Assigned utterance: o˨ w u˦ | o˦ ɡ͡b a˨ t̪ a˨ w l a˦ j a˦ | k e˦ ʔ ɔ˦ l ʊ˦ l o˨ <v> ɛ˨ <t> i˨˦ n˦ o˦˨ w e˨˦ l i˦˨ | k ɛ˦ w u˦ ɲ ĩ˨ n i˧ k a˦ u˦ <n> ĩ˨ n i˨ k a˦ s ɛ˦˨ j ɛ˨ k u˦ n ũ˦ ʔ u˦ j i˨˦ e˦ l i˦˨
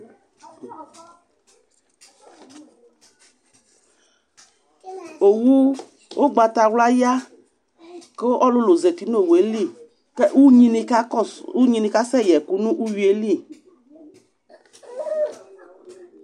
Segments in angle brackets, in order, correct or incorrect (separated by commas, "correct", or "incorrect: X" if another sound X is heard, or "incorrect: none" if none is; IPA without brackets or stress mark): incorrect: z, correct, incorrect: ɲ